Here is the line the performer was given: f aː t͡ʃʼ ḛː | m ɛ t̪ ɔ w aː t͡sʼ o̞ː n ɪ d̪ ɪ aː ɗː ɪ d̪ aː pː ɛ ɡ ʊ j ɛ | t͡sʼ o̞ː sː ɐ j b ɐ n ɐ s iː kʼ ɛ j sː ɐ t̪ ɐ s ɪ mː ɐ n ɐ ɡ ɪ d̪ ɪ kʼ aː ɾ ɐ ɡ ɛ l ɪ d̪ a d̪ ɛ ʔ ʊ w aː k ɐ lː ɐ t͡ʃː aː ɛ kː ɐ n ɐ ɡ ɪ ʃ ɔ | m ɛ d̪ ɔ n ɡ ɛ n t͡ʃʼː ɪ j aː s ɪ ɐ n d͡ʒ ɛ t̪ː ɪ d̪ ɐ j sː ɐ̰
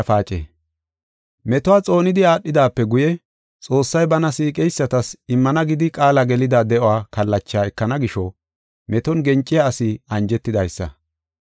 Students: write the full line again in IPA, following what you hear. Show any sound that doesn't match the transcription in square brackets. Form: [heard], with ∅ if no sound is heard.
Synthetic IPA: f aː t͡ʃʼ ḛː | m ɛ t̪ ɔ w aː t͡sʼ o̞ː n ɪ d̪ ɪ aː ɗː ɪ d̪ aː pː ɛ ɡ ʊ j ɛ | t͡sʼ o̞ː sː ɐ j b ɐ n ɐ s iː kʼ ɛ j sː ɐ t̪ ɐ s ɪ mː ɐ n ɐ ɡ ɪ d̪ ɪ kʼ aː [l] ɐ ɡ ɛ l ɪ d̪ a d̪ ɛ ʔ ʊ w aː k ɐ lː ɐ t͡ʃː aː ɛ kː ɐ n ɐ ɡ ɪ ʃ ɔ | m ɛ [t̪] ɔ n ɡ ɛ n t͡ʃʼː ɪ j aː s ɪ ɐ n d͡ʒ ɛ t̪ː ɪ d̪ ɐ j sː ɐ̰